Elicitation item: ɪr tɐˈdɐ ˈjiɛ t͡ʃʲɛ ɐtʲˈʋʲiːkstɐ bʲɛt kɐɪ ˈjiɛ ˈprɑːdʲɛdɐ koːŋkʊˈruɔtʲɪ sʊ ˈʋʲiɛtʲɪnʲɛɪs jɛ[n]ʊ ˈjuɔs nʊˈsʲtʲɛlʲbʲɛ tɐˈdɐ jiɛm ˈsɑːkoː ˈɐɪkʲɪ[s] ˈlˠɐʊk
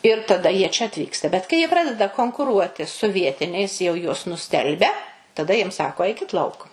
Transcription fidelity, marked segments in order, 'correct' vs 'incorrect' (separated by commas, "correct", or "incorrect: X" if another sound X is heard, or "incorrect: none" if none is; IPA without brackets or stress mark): incorrect: none, incorrect: t